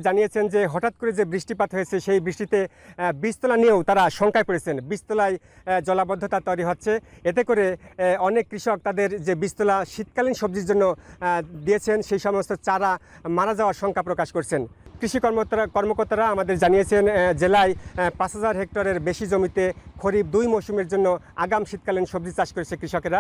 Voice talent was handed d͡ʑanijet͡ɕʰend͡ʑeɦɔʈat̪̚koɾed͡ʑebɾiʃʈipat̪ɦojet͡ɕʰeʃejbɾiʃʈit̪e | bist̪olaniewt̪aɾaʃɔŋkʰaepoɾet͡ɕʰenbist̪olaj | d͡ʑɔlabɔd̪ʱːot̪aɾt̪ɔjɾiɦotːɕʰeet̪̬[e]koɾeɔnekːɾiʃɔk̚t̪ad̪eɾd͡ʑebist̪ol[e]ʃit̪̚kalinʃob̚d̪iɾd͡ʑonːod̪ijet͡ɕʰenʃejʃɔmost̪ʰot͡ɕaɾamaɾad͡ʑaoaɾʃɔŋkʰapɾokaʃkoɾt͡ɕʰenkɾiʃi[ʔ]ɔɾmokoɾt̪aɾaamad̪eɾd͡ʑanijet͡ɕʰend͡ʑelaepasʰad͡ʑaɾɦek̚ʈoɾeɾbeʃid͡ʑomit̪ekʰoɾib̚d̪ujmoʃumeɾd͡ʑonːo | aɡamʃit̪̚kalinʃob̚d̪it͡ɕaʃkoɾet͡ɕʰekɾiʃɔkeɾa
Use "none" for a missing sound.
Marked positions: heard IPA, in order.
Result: e, a, k

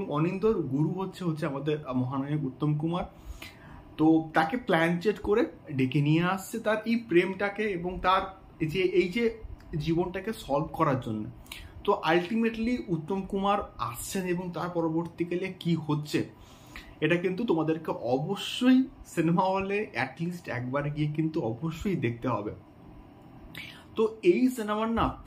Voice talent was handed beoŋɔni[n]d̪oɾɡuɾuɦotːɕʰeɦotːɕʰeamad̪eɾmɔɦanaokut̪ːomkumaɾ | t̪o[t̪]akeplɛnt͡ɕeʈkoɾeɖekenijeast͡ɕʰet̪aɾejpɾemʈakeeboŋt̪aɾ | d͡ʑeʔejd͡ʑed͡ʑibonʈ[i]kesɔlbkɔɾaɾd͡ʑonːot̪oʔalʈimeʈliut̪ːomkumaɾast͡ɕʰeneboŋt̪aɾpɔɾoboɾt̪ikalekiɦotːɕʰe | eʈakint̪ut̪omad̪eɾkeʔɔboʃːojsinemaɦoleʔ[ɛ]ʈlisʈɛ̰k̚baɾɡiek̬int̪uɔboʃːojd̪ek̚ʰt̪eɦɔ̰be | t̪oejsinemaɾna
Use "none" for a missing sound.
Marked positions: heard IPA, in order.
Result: n, t̪, a, ɛ

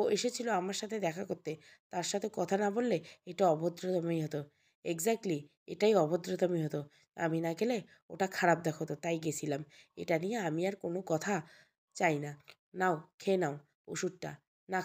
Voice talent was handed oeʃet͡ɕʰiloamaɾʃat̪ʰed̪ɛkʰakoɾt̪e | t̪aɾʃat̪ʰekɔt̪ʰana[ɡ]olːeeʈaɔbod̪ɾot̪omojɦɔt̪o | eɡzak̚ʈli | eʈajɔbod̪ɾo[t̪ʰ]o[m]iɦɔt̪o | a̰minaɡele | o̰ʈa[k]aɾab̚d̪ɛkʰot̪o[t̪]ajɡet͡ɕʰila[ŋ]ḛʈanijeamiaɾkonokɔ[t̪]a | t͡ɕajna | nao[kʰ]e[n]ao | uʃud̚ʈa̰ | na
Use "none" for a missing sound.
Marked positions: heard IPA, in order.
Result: b, t̪, m, kʰ, t̪, m, t̪ʰ, kʰ, n

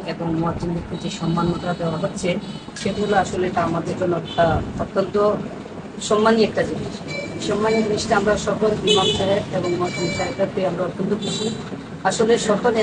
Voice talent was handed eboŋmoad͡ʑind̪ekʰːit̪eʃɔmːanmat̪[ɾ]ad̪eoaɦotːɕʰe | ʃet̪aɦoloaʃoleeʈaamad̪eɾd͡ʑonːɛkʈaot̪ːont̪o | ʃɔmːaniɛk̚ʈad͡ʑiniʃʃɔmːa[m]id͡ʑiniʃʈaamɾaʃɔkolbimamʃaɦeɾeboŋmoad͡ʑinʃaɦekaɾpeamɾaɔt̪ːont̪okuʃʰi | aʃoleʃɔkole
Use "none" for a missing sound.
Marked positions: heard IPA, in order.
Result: ɾ, n

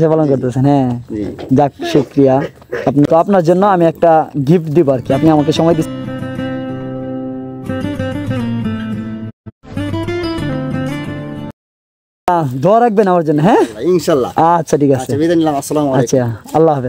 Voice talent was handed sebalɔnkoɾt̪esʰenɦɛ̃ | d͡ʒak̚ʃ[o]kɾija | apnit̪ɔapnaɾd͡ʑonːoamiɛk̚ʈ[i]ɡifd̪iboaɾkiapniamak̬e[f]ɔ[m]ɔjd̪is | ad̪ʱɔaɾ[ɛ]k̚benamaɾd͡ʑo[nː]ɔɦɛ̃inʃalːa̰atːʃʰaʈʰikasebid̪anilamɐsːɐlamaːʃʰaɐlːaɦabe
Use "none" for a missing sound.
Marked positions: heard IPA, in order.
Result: u, a, ʃ, m, a, nː

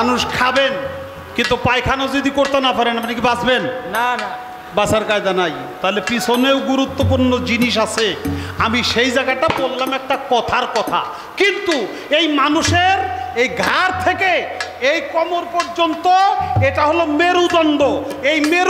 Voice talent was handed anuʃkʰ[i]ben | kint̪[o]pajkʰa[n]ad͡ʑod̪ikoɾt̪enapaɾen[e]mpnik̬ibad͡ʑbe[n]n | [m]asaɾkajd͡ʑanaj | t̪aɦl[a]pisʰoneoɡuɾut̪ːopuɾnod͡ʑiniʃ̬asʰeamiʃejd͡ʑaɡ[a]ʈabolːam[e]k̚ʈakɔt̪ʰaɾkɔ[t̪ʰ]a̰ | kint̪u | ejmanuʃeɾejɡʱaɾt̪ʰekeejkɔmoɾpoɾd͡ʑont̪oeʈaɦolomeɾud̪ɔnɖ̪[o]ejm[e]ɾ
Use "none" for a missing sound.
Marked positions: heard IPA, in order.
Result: a, u, n, a, n, b, e, a, ɛ, t̪ʰ, o, e

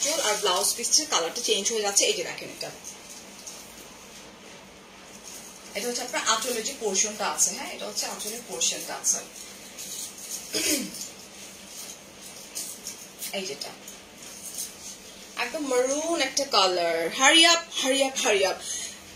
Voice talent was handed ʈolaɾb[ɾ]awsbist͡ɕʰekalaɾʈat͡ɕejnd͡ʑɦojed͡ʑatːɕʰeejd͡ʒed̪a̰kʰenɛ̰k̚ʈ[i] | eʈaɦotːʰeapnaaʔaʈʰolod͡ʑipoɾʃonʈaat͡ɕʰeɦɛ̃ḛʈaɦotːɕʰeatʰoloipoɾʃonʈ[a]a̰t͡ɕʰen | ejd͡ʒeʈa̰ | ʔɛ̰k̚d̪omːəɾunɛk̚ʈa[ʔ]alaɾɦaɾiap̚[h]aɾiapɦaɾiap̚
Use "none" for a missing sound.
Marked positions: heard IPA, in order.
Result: l, a, a, k, h

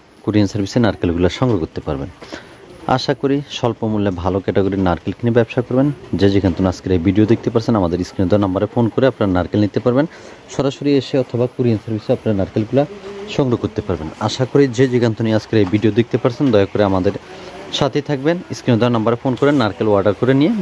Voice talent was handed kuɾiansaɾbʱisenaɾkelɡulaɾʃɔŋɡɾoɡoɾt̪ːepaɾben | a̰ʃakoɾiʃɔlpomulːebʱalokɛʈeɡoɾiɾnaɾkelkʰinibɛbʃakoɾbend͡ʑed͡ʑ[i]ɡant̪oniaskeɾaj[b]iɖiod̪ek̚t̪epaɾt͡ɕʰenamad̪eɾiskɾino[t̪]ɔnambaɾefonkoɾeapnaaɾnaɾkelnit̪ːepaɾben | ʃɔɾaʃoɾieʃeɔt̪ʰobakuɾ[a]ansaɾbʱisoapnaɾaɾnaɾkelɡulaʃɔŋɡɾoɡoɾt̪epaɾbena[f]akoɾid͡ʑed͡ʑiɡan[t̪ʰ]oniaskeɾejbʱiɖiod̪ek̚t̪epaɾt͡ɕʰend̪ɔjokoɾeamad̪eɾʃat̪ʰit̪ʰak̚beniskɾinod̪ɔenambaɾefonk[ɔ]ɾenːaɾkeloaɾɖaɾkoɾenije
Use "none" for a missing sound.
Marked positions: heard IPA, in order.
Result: i, b, d̪, i, ʃ, t̪, o

